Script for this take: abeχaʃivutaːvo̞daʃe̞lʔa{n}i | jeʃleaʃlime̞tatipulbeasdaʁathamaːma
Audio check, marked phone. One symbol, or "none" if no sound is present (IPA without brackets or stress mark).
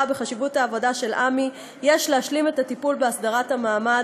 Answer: m